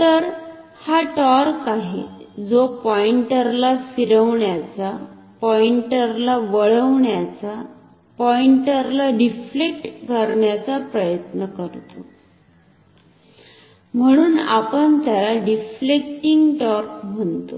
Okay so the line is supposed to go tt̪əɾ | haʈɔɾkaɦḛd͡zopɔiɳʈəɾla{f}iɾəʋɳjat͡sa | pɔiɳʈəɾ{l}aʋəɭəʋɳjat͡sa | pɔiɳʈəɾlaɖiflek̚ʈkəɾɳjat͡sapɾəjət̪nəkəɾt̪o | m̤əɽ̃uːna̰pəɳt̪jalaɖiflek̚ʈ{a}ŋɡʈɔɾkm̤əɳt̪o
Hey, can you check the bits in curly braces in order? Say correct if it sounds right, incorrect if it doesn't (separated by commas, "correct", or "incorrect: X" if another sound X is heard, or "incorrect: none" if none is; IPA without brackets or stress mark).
correct, correct, incorrect: i